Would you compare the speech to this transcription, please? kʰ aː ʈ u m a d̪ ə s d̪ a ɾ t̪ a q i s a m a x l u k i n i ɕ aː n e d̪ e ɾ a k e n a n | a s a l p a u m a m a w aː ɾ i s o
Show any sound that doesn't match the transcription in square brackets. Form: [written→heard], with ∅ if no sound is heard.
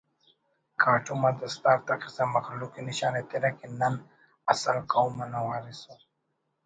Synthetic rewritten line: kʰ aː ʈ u m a d̪ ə s [d̪→t̪] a ɾ t̪ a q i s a m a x l u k i n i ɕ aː n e [d̪→t̪] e ɾ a k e n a n | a s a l [p→k] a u m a [m→n] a w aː ɾ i s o